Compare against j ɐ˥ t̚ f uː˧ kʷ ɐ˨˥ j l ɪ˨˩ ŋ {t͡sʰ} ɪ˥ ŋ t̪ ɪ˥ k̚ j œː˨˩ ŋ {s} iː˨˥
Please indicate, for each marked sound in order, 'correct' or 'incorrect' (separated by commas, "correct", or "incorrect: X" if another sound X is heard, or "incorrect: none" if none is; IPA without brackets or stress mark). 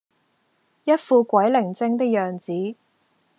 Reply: incorrect: t͡s, incorrect: t͡s